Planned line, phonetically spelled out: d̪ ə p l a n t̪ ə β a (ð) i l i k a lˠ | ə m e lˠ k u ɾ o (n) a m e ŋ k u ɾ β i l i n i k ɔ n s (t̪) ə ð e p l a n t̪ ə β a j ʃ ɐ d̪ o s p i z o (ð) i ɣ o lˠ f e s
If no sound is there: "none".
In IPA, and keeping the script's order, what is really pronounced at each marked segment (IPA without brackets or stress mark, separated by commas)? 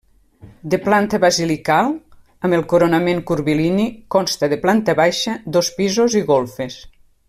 z, n, t̪, z